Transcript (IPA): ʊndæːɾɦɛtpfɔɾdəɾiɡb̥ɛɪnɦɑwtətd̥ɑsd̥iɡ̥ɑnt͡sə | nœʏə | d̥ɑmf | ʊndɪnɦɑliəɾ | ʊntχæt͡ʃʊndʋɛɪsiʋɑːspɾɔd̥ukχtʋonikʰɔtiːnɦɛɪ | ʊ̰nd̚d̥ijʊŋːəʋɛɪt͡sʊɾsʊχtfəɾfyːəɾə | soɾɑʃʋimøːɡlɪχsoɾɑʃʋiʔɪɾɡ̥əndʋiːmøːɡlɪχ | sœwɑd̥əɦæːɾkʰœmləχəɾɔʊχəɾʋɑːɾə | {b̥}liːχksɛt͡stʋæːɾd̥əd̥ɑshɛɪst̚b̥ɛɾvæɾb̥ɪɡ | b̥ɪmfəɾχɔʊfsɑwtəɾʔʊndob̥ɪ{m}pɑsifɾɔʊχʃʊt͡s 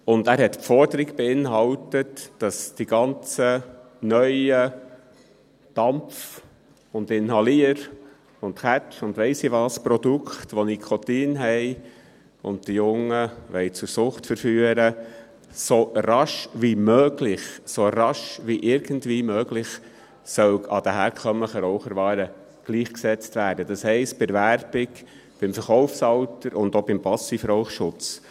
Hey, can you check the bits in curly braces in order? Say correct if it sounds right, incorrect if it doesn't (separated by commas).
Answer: incorrect, correct